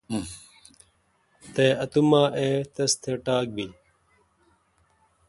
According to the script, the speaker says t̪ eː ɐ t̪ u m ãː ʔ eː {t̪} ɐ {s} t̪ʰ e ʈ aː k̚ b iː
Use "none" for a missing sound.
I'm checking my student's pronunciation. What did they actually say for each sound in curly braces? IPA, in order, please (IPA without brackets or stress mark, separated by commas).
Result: t̪, s